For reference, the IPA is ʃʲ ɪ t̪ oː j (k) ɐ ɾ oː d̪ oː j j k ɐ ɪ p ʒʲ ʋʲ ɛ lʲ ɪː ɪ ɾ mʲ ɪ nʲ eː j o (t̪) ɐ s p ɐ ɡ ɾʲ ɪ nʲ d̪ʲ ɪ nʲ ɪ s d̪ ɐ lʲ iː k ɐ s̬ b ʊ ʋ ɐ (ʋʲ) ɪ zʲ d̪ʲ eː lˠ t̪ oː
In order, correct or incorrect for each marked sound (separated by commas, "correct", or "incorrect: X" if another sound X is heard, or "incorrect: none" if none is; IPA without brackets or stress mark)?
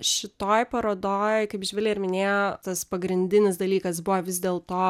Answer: incorrect: p, correct, correct